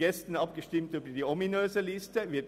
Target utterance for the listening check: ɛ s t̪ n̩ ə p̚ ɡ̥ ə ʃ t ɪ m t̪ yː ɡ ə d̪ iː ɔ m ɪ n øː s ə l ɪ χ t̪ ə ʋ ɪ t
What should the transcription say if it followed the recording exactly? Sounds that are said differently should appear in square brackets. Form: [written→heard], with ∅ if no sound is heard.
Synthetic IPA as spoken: ɛ s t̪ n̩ [ə→ɑ] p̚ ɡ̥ ə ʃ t ɪ m t̪ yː [ɡ→b] ə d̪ iː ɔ m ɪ n øː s ə l ɪ [χ→s] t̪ ə ʋ ɪ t